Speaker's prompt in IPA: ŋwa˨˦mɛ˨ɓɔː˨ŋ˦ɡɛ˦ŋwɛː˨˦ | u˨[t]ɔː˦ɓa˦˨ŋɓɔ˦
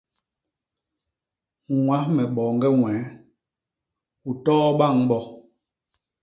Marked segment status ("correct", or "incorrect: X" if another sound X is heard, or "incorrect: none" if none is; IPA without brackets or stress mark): correct